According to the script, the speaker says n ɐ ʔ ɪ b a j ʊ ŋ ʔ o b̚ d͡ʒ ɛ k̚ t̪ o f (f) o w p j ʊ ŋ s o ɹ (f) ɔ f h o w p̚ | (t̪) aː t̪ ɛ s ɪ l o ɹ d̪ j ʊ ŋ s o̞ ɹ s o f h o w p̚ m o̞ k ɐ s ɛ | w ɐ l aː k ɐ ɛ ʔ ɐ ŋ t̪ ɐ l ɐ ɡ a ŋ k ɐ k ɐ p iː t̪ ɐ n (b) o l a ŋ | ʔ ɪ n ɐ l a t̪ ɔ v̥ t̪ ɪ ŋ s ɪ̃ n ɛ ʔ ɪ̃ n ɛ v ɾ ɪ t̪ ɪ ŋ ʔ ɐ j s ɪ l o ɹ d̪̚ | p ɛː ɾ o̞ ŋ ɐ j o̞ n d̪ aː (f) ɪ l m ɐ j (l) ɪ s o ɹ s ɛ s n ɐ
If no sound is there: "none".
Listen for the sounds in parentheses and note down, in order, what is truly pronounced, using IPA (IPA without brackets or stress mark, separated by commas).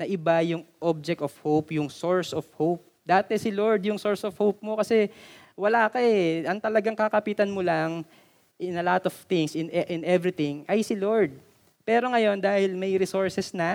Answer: h, s, d̪, m, h, ɾ